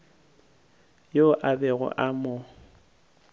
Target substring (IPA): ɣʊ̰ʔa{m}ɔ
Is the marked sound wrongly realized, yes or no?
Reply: no